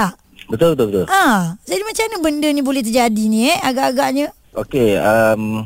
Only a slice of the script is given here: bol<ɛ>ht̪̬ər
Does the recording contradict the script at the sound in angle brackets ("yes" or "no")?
no